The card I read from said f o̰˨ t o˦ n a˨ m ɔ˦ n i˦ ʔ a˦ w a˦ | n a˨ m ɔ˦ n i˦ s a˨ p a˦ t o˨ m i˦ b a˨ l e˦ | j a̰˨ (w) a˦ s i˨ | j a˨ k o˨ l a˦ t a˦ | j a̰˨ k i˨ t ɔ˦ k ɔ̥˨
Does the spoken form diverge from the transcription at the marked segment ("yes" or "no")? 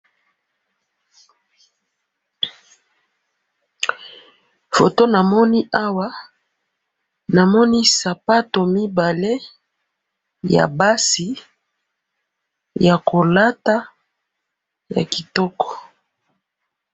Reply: yes